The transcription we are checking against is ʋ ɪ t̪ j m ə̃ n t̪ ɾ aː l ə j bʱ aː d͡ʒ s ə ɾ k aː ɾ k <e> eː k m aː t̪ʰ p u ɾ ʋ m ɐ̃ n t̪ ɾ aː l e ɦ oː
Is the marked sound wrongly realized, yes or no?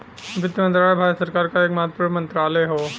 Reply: yes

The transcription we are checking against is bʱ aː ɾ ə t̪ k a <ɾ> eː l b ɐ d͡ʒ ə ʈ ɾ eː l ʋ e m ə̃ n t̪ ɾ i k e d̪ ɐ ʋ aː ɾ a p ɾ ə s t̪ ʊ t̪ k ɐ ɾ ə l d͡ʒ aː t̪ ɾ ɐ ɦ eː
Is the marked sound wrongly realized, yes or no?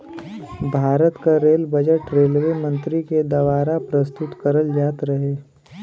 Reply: no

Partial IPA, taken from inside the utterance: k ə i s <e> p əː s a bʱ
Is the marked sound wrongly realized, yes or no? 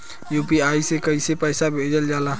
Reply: no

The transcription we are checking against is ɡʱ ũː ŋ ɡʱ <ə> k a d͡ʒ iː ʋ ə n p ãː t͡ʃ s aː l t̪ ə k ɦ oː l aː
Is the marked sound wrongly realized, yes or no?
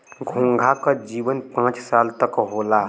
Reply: yes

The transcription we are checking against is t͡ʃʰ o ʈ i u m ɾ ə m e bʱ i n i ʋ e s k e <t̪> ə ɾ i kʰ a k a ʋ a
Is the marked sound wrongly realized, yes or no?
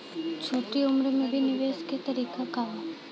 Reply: no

